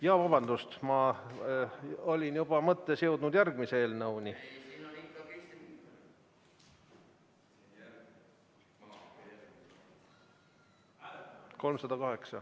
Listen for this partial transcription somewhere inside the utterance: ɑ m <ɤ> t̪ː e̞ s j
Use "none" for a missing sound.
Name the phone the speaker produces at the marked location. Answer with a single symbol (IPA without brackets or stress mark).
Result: ɤ